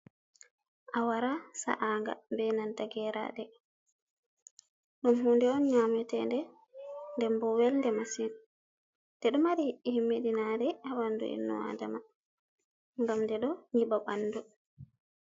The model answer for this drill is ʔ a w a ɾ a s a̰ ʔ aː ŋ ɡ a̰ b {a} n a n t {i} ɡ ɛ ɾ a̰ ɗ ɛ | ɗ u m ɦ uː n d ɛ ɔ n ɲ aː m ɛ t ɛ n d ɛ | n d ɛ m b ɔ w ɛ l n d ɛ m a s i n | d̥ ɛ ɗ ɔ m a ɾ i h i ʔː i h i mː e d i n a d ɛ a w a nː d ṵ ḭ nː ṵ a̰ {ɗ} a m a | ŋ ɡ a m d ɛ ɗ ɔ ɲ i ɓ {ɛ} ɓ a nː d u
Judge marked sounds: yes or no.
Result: no, no, no, no

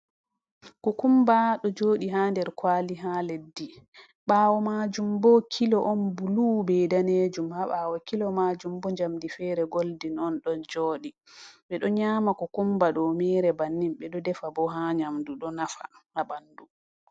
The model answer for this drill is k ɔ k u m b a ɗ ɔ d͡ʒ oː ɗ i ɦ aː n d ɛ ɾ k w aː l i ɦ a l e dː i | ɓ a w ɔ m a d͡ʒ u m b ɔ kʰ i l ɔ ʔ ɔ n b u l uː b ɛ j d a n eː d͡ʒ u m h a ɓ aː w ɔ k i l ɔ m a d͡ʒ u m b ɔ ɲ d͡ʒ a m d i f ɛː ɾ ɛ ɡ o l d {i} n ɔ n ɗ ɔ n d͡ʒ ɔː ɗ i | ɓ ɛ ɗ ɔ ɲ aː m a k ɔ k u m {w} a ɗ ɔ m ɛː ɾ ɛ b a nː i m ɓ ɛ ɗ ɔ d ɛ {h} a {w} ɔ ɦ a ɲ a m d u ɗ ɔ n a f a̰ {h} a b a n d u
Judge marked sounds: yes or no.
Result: yes, no, no, no, yes

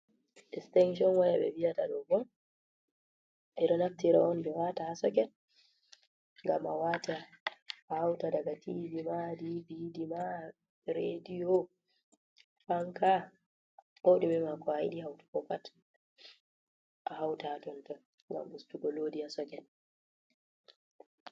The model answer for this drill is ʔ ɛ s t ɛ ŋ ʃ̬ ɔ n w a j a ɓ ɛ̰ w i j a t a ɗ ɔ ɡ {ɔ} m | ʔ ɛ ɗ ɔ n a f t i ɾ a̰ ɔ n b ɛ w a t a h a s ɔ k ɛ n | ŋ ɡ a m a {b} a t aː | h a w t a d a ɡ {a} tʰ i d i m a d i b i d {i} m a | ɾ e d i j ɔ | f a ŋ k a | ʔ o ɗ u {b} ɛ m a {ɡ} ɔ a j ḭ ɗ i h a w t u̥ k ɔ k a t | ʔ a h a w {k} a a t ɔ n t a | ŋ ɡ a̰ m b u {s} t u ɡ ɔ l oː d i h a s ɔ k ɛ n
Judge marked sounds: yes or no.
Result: yes, no, yes, yes, no, no, no, yes

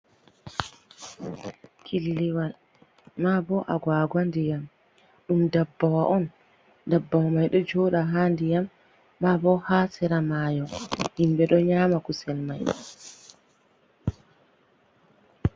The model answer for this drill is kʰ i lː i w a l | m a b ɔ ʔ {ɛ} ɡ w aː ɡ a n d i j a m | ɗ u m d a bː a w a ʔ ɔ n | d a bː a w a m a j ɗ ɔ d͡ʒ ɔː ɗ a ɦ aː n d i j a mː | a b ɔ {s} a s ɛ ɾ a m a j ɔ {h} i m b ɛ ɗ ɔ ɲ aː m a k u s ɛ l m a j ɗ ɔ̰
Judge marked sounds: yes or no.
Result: no, no, yes

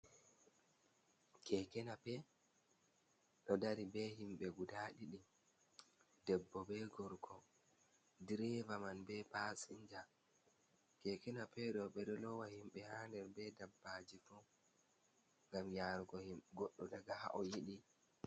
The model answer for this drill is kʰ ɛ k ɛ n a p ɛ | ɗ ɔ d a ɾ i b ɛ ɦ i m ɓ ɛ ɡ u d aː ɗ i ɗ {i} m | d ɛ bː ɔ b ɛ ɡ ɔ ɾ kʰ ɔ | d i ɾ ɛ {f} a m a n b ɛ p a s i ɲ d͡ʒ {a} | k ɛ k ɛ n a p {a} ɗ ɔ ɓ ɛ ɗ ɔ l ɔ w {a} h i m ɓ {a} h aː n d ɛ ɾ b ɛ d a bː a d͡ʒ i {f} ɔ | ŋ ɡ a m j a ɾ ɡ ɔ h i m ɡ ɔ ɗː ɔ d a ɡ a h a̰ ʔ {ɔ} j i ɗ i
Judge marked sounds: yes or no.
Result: yes, no, yes, no, yes, no, yes, yes

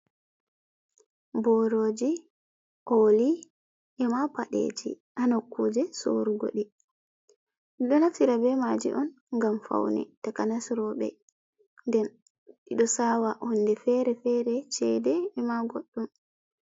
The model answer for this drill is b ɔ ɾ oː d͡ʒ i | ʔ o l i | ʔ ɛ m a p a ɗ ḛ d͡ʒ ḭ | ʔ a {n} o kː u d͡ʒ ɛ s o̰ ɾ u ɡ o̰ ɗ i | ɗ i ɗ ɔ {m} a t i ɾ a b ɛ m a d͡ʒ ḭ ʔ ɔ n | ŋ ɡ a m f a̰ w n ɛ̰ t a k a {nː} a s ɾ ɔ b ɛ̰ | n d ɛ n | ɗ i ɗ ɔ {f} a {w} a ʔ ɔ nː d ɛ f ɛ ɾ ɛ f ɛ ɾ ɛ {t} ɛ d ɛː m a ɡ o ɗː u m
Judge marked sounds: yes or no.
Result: yes, no, no, no, yes, no

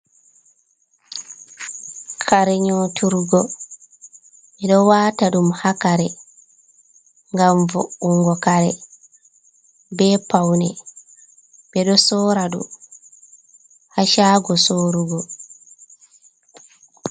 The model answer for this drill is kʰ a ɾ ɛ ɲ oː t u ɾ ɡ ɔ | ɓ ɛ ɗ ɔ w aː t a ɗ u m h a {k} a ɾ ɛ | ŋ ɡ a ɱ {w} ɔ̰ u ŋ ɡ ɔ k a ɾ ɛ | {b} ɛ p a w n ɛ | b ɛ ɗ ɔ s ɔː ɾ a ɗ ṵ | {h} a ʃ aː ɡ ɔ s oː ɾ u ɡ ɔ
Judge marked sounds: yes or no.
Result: yes, no, yes, yes

